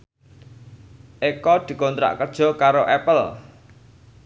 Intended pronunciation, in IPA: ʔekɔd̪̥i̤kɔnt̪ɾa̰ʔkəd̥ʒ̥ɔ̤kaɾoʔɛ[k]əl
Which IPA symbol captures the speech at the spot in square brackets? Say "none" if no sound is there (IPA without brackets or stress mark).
p